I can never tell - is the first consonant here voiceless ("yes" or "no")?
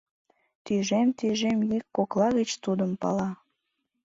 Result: yes